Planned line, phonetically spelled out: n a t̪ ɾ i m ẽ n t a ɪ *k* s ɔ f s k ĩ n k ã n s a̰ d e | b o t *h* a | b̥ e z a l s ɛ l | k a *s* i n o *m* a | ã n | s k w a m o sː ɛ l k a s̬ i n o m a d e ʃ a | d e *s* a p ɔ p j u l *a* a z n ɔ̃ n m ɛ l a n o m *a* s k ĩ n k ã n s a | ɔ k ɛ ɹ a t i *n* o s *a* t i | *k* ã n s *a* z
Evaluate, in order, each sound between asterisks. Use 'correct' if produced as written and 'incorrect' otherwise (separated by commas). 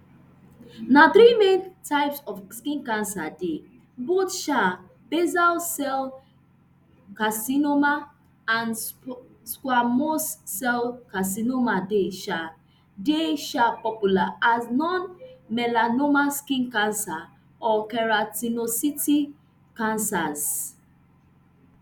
incorrect, incorrect, correct, correct, incorrect, correct, correct, correct, incorrect, correct, correct